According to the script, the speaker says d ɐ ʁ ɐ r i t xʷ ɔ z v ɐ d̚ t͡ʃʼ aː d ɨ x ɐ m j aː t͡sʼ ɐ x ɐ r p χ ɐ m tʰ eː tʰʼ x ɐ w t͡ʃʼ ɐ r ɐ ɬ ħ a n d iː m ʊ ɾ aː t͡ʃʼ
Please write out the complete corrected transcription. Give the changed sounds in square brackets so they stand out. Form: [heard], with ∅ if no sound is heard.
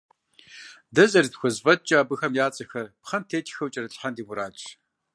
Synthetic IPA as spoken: d ɐ [z] ɐ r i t xʷ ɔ z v ɐ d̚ t͡ʃʼ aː [b] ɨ x ɐ m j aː t͡sʼ ɐ x ɐ r p χ ɐ m tʰ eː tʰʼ x ɐ w t͡ʃʼ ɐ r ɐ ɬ ħ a n d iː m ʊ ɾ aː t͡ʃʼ